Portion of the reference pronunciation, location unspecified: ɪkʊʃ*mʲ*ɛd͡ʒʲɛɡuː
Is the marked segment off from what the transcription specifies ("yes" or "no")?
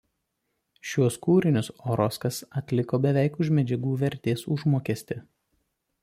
no